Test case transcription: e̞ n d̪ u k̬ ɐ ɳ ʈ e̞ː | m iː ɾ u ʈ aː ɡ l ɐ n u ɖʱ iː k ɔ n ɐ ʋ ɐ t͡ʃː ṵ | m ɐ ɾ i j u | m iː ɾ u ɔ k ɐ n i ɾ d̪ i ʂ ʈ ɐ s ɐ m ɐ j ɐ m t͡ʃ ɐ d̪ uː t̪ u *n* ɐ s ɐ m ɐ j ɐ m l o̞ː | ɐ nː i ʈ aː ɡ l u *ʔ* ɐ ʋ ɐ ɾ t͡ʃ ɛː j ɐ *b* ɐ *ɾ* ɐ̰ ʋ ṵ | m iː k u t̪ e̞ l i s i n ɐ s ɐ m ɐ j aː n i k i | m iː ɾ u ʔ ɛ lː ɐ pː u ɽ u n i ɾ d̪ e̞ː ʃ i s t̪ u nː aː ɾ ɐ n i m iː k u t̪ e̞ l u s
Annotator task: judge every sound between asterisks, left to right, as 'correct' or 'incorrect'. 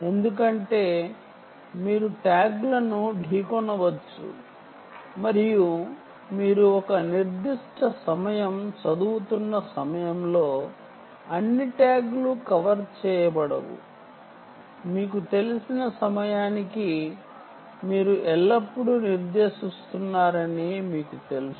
incorrect, incorrect, correct, incorrect

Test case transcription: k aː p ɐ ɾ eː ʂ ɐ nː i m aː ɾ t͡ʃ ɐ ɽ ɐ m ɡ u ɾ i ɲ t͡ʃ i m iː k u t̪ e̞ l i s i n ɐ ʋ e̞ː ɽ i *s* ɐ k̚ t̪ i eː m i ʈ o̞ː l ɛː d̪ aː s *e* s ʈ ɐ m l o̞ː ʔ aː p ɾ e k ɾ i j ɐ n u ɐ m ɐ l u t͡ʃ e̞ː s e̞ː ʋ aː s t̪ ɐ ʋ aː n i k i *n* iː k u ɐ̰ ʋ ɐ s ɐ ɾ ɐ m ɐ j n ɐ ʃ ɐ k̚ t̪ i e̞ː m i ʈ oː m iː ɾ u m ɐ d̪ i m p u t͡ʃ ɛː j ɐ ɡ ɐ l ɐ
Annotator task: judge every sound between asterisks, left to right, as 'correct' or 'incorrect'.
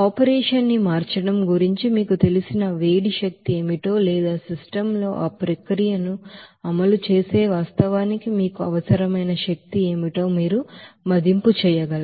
incorrect, incorrect, incorrect

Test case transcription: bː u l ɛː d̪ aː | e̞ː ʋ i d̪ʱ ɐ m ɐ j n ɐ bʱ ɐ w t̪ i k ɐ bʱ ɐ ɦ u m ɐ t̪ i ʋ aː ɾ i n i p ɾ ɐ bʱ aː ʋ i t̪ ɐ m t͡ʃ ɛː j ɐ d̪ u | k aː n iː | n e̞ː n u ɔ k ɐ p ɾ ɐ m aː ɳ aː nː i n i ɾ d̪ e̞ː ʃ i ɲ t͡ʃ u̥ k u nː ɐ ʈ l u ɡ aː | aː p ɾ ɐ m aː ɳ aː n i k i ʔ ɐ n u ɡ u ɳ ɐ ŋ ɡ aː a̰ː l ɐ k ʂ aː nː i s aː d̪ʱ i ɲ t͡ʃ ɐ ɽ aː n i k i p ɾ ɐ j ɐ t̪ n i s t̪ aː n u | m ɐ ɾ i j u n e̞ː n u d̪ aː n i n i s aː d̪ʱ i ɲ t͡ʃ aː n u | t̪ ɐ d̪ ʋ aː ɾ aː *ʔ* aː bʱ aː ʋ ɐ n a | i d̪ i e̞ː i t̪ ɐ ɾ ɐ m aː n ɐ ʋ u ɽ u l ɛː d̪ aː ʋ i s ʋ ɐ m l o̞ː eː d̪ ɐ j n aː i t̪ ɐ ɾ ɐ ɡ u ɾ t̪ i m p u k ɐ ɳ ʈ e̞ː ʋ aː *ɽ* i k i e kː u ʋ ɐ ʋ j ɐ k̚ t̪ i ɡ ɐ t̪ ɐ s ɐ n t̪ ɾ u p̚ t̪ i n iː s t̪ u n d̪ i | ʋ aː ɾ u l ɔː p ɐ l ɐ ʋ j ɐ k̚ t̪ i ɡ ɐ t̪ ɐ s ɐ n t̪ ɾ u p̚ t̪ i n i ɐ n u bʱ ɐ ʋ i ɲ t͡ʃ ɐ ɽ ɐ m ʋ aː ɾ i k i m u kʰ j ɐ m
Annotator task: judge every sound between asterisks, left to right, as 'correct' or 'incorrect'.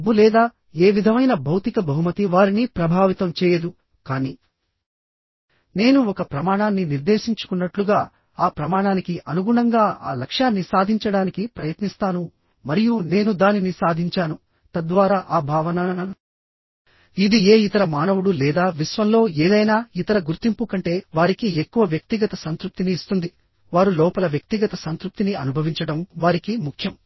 correct, incorrect

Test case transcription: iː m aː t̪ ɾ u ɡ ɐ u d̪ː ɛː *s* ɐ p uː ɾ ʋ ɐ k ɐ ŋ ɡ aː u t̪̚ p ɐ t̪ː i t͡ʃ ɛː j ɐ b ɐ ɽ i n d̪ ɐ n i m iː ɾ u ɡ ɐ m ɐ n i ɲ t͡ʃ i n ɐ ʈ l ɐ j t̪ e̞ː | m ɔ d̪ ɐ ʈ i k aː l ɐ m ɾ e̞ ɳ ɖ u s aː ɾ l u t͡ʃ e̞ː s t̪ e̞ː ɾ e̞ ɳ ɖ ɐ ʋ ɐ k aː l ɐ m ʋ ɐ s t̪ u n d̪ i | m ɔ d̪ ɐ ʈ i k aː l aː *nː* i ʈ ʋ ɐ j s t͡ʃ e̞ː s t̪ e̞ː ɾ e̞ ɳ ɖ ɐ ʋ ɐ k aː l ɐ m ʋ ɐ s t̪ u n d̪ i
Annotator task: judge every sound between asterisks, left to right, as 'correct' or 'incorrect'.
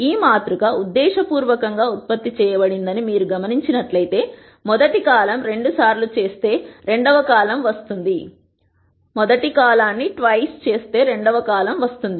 incorrect, correct

